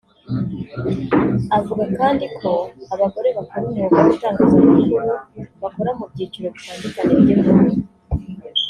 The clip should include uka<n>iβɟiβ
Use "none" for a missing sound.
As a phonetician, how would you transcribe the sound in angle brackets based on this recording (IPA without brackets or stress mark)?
n